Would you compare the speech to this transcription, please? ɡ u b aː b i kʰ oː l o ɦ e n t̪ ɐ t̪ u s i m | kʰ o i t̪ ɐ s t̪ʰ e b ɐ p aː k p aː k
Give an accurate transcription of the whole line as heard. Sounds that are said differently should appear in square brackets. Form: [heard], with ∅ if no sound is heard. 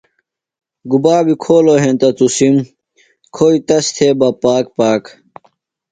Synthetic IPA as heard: ɡ u b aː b i kʰ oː l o ɦ e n t̪ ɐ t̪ u s i m | kʰ o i t̪ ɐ s t̪ʰ e b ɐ p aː k p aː k